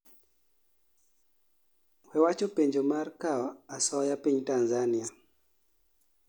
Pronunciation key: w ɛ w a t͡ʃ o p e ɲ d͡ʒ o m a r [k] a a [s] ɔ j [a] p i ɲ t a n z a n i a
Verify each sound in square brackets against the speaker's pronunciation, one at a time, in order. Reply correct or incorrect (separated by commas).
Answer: correct, correct, correct